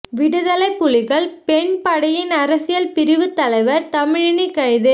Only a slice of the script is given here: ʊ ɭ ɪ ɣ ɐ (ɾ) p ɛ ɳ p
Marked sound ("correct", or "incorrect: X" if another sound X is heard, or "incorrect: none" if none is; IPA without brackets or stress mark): incorrect: ɭ